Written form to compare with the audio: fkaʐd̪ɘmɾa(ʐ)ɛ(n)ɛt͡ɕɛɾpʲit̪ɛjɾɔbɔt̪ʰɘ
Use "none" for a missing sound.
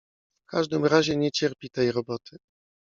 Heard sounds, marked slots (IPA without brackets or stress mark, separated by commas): ʑ, ɲ